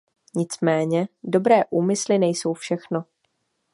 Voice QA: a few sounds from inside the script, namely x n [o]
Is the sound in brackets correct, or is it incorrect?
correct